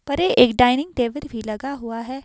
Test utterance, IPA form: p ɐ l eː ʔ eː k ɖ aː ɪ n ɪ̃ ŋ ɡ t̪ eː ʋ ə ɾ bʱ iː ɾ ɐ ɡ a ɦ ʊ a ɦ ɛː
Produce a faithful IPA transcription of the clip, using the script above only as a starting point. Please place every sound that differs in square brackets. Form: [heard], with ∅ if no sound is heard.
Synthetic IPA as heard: p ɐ [ɾ] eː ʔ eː k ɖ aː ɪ n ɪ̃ ŋ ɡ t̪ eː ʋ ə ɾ bʱ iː [l] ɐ ɡ a ɦ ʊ a ɦ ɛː